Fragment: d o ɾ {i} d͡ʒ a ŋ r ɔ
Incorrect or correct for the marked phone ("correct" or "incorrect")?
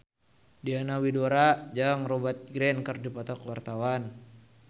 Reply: incorrect